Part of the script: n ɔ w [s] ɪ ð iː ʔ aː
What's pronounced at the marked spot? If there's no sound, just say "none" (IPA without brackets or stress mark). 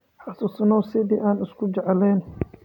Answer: s